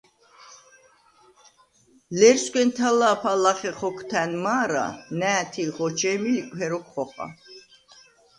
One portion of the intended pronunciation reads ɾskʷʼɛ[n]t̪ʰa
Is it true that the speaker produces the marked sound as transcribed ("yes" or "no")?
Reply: yes